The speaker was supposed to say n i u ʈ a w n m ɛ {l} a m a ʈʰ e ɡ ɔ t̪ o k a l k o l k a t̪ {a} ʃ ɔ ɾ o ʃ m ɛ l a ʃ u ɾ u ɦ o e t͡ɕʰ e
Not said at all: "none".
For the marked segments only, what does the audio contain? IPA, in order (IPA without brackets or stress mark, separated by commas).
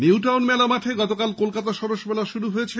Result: l, a